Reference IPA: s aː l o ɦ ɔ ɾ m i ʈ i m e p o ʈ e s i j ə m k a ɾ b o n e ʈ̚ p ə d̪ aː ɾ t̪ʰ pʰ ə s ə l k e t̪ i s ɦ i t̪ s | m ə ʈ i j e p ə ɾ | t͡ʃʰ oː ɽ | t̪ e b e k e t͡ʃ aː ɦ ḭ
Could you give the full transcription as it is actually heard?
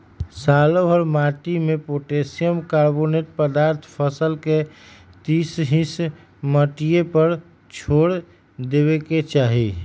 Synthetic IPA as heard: s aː l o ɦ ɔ ɾ m a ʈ i m e p o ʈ e s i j ə m k a ɾ b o n e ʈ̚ p ə d̪ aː ɾ t̪ʰ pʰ ə s ə l k e t̪ i s ɦ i s | m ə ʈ i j e p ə ɾ | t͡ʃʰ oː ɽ | d̪ e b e k e t͡ʃ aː ɦ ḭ